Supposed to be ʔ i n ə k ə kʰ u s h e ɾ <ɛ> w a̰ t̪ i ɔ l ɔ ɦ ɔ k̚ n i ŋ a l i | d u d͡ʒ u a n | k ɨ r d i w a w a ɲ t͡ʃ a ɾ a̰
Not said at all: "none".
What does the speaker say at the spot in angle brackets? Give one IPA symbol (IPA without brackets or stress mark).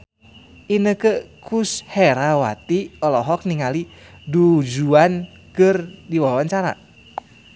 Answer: a